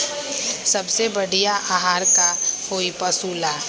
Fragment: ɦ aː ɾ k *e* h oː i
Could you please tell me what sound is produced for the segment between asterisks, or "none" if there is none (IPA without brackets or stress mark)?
a